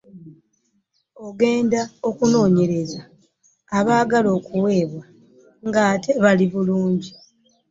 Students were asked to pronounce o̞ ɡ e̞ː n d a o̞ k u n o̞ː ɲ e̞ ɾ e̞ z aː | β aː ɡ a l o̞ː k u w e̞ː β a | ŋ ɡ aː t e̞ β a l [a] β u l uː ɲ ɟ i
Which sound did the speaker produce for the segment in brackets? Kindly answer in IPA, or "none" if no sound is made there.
i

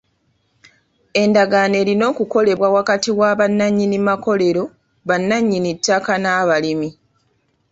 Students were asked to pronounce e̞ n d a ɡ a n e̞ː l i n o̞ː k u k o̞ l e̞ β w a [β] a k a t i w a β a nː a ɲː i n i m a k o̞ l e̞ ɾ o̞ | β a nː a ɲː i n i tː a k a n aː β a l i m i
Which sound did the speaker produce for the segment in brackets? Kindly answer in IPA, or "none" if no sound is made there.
w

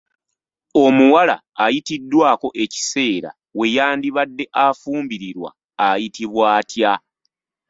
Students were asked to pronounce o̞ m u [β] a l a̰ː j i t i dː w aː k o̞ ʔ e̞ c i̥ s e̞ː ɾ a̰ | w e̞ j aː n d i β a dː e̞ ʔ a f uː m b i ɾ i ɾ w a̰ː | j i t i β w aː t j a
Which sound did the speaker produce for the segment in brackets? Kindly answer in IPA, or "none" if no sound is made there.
w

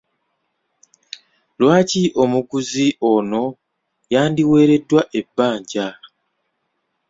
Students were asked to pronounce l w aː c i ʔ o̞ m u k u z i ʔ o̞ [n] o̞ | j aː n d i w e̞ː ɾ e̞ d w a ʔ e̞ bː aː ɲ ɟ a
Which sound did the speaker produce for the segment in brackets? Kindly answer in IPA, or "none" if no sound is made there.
n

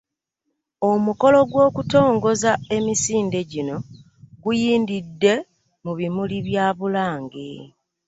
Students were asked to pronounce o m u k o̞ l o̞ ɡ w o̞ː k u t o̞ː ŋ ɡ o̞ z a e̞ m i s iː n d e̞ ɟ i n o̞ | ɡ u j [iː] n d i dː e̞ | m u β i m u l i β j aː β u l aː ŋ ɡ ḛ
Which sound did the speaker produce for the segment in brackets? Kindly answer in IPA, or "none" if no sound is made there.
iː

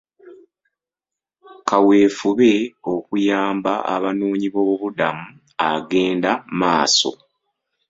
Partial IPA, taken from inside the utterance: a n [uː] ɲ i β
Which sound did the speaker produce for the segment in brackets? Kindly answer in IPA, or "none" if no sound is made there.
uː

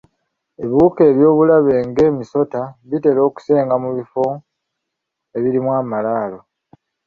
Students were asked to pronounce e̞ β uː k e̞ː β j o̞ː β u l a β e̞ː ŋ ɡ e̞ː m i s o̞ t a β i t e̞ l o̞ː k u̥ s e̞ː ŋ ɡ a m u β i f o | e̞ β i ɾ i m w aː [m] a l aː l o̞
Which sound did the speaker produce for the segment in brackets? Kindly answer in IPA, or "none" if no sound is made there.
m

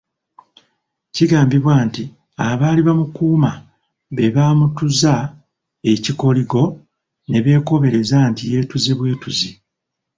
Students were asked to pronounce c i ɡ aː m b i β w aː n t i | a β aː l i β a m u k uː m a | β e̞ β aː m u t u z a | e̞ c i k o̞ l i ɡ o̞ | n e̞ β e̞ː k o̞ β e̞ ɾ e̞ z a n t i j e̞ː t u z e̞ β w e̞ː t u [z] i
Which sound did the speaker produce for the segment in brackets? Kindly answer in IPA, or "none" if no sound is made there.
z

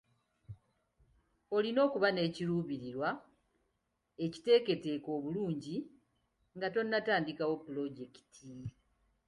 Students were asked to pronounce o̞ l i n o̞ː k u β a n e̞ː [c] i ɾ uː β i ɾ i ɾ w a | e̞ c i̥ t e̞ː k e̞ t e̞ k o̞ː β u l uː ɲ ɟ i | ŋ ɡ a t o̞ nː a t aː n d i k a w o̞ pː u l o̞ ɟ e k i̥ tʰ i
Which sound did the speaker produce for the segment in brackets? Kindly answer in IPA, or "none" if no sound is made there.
c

